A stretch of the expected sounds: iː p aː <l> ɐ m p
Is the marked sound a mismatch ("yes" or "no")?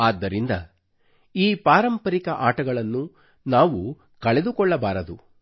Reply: yes